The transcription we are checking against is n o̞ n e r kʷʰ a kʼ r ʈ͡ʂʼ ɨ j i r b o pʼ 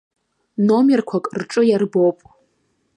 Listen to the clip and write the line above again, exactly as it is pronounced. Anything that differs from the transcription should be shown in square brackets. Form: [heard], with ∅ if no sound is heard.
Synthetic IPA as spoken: n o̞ [m] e r kʷʰ a kʼ r ʈ͡ʂʼ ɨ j [a] r b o pʼ